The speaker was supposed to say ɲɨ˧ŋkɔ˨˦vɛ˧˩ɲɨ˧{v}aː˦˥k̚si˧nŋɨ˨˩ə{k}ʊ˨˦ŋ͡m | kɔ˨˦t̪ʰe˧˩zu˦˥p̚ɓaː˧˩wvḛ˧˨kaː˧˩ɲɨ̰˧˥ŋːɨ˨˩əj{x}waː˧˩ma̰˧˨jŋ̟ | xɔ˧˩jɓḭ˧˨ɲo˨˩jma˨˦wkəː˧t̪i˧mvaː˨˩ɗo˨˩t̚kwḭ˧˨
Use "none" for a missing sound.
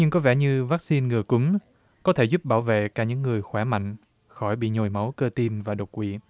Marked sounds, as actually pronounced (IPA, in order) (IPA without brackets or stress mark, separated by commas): v, k, x